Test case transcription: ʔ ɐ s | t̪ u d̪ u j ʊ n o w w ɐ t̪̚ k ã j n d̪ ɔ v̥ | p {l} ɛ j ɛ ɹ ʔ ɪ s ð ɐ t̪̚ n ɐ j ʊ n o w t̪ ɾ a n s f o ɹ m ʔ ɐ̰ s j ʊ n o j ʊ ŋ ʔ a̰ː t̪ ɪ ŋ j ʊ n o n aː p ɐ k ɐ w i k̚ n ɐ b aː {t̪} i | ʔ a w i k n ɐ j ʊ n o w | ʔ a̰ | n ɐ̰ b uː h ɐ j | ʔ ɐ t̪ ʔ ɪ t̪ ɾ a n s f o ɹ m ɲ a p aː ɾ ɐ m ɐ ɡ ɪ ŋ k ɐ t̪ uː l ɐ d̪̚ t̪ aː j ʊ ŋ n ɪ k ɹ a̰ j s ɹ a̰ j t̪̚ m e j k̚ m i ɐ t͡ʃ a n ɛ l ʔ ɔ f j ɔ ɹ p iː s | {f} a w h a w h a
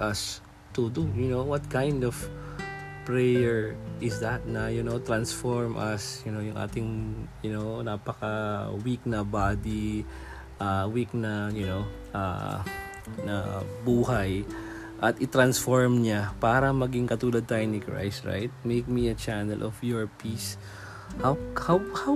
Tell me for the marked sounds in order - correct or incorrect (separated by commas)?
incorrect, incorrect, incorrect